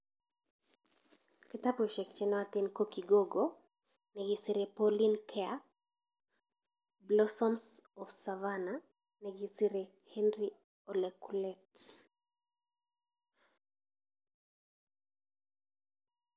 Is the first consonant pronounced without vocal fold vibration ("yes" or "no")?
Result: yes